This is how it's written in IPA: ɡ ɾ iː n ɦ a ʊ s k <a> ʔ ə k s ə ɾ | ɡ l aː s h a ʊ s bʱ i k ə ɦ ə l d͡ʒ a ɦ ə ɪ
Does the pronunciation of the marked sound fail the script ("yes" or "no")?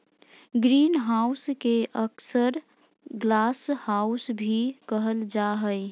yes